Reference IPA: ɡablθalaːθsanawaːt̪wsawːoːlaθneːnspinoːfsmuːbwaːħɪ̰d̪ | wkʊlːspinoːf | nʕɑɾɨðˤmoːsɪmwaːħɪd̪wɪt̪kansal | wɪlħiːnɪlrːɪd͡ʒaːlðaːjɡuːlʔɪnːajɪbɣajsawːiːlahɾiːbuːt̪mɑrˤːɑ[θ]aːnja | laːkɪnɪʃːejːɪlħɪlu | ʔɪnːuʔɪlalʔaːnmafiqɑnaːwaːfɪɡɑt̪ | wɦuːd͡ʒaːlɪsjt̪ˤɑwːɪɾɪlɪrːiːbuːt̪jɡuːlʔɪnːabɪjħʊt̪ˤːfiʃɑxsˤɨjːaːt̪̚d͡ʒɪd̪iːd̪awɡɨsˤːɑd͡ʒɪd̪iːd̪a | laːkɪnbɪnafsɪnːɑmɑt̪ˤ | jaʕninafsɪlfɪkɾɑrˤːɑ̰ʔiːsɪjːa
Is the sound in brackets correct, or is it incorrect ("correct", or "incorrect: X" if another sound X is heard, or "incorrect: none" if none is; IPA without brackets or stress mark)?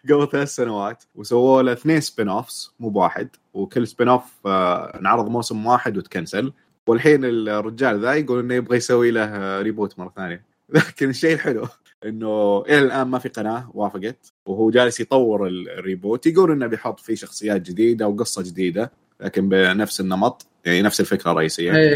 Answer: correct